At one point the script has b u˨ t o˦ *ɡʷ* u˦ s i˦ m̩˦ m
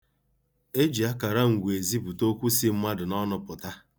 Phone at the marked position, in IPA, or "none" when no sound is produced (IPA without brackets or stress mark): kʷ